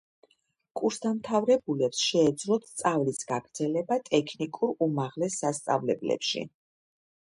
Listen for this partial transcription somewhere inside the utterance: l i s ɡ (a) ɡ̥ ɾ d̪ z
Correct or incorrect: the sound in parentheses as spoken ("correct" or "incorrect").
correct